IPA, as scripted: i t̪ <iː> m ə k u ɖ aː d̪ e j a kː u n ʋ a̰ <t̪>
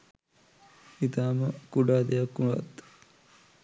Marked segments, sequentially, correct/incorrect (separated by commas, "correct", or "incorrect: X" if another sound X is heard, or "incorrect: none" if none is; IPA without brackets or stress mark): incorrect: aː, correct